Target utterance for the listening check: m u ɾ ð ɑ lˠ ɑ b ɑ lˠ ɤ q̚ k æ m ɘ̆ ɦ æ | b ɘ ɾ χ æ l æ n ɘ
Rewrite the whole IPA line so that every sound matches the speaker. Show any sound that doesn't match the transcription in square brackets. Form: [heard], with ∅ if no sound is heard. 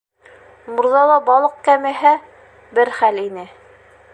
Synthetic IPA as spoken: m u ɾ ð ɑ lˠ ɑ b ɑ lˠ ɤ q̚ k æ m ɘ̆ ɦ æ | b ɘ ɾ χ æ l [i] n ɘ

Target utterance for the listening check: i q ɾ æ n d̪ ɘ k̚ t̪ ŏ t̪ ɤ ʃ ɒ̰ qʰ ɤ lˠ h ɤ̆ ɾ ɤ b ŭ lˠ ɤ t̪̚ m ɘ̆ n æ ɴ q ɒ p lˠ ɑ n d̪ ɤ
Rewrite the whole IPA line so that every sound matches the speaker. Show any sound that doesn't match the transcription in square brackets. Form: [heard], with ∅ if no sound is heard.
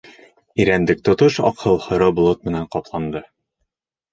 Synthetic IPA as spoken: i [∅] ɾ æ n d̪ ɘ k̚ t̪ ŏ t̪ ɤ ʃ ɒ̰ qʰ ɤ lˠ h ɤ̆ ɾ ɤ b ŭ lˠ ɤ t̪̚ m ɘ̆ n æ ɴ q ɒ p lˠ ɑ n d̪ ɤ

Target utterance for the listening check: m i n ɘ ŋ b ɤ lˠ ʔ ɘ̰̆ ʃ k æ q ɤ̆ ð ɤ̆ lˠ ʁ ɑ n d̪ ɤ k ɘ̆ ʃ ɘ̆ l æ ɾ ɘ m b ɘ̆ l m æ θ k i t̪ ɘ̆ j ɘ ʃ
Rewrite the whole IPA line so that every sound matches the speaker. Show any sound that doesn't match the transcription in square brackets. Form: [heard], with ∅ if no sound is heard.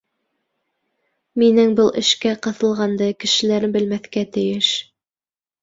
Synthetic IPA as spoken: m i n ɘ ŋ b ɤ lˠ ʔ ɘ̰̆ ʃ k æ q ɤ̆ [θ] ɤ̆ lˠ ʁ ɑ n d̪ ɤ k ɘ̆ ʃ ɘ̆ l æ ɾ ɘ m b ɘ̆ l m æ θ k [æ] t̪ ɘ̆ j ɘ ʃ

